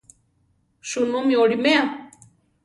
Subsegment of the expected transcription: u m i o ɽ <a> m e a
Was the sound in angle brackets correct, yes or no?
no